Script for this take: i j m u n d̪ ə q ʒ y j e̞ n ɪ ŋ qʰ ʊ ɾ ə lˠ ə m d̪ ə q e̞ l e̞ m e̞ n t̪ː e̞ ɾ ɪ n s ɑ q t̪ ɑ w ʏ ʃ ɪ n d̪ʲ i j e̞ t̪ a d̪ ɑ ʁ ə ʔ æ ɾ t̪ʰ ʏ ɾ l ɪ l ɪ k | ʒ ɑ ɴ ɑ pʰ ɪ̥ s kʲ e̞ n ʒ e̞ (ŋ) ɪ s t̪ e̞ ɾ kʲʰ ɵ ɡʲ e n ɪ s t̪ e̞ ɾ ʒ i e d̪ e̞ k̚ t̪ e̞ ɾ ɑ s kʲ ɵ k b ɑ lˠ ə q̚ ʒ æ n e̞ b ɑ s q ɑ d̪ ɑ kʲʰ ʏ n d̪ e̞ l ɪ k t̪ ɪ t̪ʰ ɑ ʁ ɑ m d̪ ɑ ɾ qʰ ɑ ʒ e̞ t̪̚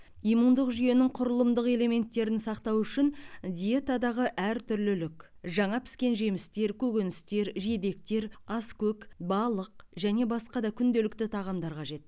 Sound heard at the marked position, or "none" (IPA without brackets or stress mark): m